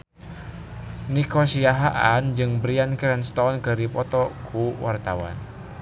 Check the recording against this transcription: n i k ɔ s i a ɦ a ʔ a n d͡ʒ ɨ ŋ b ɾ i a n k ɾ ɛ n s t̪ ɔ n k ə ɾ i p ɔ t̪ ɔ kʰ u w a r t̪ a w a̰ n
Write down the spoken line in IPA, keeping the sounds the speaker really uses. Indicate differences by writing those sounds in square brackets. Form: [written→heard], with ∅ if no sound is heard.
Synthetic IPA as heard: n i k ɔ s i a ɦ a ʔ a n d͡ʒ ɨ ŋ b ɾ i a n k ɾ ɛ n s t̪ ɔ n k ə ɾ i p ɔ t̪ ɔ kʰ u w a r t̪ a w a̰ n